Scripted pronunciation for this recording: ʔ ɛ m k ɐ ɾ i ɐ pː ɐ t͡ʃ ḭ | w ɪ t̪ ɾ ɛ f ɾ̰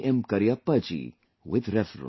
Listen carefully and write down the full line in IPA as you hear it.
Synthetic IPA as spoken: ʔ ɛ m k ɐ ɾ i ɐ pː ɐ t͡ʃ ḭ | w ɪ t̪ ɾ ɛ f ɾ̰